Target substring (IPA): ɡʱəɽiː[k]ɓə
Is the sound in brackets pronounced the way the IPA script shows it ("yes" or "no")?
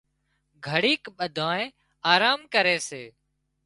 yes